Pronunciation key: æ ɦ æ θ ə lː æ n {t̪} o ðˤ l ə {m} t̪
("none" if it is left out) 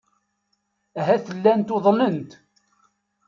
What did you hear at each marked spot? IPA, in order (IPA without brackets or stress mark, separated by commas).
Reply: t̪, n